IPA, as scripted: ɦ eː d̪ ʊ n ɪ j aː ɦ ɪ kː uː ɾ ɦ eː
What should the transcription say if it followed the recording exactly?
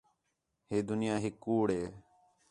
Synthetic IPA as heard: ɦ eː d̪ ʊ n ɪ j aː ɦ ɪ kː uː ɽ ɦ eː